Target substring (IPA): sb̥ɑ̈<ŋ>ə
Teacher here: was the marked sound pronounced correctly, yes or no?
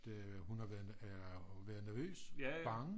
yes